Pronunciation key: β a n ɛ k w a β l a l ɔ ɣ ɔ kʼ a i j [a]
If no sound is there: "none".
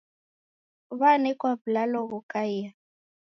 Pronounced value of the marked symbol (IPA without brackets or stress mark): a